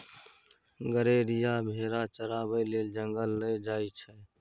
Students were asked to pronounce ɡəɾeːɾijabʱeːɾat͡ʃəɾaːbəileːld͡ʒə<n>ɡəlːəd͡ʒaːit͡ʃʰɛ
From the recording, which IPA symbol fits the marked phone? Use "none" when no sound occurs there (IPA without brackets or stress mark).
ŋ